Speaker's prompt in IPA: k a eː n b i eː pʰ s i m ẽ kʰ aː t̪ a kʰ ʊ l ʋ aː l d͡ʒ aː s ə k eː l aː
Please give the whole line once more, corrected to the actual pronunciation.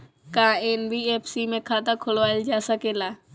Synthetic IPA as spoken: k a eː n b i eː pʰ s i m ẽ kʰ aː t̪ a kʰ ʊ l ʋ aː l d͡ʒ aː s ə k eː l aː